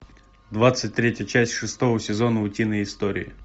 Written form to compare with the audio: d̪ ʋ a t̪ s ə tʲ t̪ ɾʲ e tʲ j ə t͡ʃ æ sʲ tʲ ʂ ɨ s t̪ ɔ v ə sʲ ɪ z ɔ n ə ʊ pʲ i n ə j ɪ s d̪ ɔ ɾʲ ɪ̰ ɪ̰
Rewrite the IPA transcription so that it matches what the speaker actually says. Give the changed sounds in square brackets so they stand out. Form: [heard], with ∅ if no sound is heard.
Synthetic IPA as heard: d̪ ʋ a t̪ s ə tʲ t̪ ɾʲ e tʲ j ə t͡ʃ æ sʲ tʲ ʂ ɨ s t̪ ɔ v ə sʲ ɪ z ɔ n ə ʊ [tʲ] i n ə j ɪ s [t̪] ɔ ɾʲ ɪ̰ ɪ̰